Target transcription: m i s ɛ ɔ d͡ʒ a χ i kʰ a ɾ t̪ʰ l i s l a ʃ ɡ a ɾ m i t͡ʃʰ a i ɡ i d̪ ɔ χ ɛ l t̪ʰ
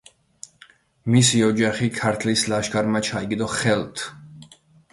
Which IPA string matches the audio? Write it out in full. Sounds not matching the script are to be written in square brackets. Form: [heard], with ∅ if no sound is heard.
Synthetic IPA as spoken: m i s [i] ɔ d͡ʒ a χ i kʰ a ɾ t̪ʰ l i s l a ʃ ɡ a ɾ m [a] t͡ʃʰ a i ɡ i d̪ ɔ χ ɛ l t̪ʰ

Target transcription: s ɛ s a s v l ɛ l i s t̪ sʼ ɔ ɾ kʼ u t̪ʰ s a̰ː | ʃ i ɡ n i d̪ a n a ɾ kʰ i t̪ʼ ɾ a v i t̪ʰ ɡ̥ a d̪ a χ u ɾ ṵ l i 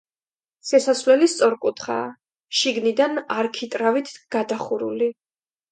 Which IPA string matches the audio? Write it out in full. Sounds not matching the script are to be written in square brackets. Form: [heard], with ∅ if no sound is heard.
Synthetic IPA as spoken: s ɛ s a s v l ɛ l i s t̪ sʼ ɔ ɾ kʼ u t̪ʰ [χ] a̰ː | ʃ i ɡ n i d̪ a n a ɾ kʰ i t̪ʼ ɾ a v i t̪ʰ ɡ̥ a d̪ a χ u ɾ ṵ l i

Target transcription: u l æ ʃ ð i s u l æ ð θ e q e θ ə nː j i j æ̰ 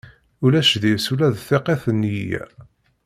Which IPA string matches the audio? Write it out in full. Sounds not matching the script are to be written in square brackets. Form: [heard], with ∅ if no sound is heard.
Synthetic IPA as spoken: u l æ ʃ ð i s u l æ ð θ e q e θ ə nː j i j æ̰

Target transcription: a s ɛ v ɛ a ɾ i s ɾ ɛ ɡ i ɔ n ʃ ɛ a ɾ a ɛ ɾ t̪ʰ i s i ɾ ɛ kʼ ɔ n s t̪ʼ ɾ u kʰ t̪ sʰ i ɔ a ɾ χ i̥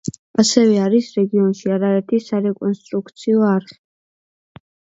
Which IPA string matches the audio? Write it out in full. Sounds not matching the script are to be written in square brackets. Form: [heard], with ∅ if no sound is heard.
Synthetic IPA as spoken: a s ɛ v ɛ a ɾ i s ɾ ɛ ɡ i ɔ n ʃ [i] a ɾ a ɛ ɾ t̪ʰ i s [a] ɾ ɛ kʼ ɔ n s t̪ʼ ɾ u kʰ t̪ sʰ i ɔ a ɾ χ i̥

